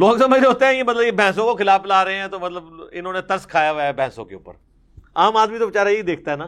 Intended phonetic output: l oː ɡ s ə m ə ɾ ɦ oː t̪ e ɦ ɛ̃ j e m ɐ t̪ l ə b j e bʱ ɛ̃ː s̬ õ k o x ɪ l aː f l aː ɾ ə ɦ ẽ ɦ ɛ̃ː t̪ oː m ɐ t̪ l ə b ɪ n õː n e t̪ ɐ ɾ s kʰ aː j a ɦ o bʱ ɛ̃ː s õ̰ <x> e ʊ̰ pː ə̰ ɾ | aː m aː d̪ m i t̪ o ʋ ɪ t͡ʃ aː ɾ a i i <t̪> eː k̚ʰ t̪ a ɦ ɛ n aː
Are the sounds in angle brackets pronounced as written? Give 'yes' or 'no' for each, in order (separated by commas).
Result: no, no